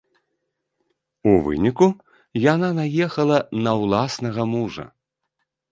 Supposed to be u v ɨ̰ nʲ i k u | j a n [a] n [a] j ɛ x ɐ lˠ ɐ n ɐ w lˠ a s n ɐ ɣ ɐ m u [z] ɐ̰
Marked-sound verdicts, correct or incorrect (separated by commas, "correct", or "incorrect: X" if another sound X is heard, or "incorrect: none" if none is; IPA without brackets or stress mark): correct, correct, incorrect: ʐ